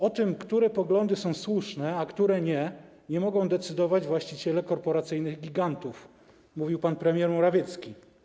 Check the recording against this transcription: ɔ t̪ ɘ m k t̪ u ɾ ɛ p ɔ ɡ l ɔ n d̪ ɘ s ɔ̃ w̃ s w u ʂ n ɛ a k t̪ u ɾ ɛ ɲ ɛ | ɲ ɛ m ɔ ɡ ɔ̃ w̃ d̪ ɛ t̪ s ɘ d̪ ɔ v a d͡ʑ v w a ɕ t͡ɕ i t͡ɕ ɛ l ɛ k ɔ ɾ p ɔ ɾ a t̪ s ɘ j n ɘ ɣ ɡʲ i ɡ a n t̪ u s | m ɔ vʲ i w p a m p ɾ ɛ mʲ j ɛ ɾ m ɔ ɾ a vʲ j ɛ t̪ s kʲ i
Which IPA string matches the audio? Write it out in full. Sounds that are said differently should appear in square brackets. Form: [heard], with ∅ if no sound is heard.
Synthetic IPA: ɔ t̪ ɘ m k t̪ u ɾ ɛ p ɔ ɡ l ɔ n d̪ ɘ s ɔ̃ w̃ s w u ʂ n ɛ a k t̪ u ɾ ɛ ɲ ɛ | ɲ ɛ m ɔ ɡ ɔ̃ w̃ d̪ ɛ t̪ s ɘ d̪ ɔ v a d͡ʑ v w a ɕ t͡ɕ i t͡ɕ ɛ l ɛ k ɔ ɾ p ɔ ɾ a t̪ s ɘ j n ɘ ɣ ɡʲ i ɡ a n t̪ u [f] | m [u] vʲ i w p a [n] p ɾ ɛ mʲ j ɛ ɾ m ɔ ɾ a vʲ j ɛ t̪ s kʲ i